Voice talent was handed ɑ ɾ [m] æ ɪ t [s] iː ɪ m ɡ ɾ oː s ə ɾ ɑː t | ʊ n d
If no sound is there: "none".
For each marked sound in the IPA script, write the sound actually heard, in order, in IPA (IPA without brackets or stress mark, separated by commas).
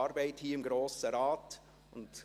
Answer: b, h